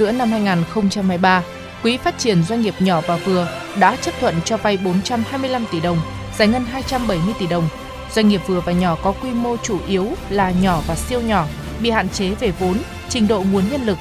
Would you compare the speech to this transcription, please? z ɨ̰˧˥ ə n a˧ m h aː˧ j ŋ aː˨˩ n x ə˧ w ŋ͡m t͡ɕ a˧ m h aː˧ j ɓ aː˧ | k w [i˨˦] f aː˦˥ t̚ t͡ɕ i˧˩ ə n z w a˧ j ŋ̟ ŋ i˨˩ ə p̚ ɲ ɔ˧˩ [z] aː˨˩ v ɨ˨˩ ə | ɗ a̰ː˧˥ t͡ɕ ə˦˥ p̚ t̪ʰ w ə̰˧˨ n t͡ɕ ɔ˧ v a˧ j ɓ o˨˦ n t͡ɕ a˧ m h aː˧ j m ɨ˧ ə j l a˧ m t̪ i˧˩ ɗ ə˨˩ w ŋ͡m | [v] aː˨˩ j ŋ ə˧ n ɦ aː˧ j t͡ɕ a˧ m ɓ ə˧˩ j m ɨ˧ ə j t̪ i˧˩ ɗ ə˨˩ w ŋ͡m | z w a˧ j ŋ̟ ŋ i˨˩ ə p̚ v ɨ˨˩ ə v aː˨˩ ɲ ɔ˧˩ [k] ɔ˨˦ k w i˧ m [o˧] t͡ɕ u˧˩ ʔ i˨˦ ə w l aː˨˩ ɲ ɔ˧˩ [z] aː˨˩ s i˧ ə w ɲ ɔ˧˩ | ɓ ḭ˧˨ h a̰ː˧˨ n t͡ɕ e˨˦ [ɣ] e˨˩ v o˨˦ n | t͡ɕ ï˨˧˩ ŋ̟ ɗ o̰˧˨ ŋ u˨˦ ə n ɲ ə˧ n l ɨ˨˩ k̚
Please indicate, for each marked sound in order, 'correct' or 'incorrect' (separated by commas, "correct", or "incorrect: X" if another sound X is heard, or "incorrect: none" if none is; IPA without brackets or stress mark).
correct, incorrect: v, incorrect: z, correct, correct, incorrect: v, incorrect: v